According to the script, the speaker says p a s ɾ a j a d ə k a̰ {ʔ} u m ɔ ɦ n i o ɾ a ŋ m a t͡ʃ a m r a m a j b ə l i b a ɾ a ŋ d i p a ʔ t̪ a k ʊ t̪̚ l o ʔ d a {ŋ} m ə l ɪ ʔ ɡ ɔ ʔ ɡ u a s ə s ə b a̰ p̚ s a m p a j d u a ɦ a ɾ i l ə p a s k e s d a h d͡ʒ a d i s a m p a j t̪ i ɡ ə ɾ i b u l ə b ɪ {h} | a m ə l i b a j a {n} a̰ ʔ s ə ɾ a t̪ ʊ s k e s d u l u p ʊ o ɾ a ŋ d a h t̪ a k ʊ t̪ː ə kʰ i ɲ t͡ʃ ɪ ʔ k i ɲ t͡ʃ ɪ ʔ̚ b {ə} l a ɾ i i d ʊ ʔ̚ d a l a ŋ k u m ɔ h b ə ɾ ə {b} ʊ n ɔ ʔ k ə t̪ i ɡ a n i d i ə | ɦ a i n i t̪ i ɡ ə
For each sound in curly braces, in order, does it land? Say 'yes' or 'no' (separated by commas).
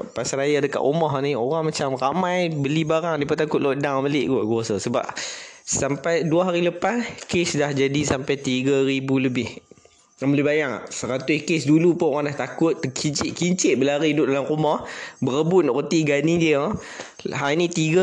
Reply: yes, yes, yes, no, yes, yes